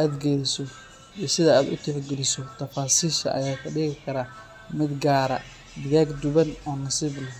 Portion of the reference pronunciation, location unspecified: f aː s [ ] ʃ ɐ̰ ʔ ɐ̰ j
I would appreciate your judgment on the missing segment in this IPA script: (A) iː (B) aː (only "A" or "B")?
A